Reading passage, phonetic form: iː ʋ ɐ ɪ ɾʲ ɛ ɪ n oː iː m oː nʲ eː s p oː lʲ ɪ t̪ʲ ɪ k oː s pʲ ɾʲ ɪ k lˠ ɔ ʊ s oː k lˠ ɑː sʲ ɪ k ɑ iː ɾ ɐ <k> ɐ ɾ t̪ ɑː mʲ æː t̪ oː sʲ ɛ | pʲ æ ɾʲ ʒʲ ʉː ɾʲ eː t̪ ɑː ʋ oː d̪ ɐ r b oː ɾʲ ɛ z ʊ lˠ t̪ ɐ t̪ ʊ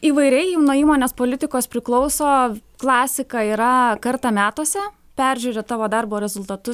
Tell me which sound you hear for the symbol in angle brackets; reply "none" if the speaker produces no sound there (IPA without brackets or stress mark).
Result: k